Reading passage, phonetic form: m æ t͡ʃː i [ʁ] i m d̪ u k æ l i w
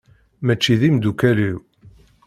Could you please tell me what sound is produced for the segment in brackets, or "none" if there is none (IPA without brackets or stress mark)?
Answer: ð